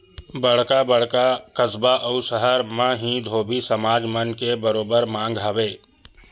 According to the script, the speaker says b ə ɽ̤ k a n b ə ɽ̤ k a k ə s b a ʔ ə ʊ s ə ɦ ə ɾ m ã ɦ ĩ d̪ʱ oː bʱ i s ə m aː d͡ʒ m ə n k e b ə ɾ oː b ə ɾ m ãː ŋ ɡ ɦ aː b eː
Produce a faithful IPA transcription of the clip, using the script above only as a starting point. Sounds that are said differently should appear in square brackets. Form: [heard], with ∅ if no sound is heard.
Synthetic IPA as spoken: b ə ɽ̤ k a [∅] b ə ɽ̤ k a k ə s b a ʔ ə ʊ s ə ɦ ə ɾ m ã ɦ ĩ d̪ʱ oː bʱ i s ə m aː d͡ʒ m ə n k e b ə ɾ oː b ə ɾ m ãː ŋ ɡ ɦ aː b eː